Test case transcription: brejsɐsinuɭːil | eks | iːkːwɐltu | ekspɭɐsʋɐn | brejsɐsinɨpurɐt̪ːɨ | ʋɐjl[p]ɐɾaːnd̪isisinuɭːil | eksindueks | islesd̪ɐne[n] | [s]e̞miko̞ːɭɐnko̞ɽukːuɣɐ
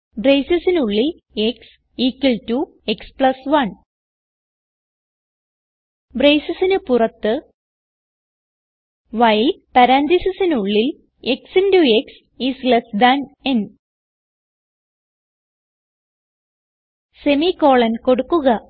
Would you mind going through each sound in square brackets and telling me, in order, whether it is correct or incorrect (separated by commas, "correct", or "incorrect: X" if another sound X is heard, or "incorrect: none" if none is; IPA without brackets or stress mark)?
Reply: correct, correct, correct